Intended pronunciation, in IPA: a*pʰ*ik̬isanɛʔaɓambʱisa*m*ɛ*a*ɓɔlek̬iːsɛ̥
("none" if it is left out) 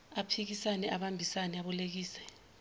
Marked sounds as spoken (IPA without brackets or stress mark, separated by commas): pʰ, n, a